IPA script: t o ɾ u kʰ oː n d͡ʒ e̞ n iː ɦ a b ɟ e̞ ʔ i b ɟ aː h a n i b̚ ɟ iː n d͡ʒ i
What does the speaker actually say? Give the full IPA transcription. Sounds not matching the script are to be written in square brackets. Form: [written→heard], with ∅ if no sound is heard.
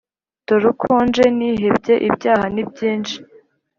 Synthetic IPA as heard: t o ɾ u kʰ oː n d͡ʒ e̞ n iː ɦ [a→e] b ɟ e̞ ʔ i b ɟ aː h a n i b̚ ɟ iː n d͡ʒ i